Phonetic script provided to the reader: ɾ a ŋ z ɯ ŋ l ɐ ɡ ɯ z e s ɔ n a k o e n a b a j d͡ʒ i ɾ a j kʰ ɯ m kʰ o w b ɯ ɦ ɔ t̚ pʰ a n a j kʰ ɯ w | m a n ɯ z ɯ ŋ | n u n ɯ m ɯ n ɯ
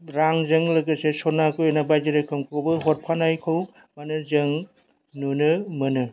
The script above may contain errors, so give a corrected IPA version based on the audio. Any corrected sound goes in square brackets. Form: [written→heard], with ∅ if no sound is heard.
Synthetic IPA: ɾ a ŋ z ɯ ŋ l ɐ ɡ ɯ [z→s] e s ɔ n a k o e n a b a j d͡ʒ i ɾ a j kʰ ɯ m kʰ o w b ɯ ɦ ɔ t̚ pʰ a n a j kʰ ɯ w | m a n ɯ z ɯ ŋ | n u n ɯ m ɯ n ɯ